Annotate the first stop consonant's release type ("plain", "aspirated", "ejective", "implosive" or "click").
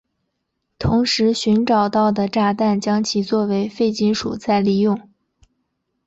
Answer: aspirated